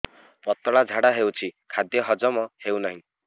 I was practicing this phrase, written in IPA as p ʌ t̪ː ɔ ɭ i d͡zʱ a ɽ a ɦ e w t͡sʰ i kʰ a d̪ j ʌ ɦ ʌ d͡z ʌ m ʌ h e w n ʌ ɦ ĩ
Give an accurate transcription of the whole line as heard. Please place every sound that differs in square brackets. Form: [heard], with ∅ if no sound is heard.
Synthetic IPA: p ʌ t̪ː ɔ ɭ [a] d͡zʱ a ɽ a ɦ e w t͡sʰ i kʰ a d̪ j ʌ ɦ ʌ d͡z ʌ m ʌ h e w n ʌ ɦ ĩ